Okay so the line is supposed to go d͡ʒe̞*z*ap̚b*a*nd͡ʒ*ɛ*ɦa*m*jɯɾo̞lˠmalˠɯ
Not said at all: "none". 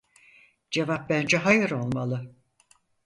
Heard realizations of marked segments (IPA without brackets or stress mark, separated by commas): v, æ, ɛ, none